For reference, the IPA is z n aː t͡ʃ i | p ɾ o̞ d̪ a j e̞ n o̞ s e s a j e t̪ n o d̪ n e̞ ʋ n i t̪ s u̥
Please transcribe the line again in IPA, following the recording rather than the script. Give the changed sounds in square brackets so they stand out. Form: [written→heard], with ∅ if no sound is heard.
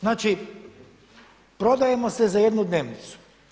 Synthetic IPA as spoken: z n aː t͡ʃ i | p ɾ o̞ d̪ a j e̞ [n→m] o̞ s e [s→z] a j e [t̪→d̪] n [o→u] d̪ n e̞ ʋ n i t̪ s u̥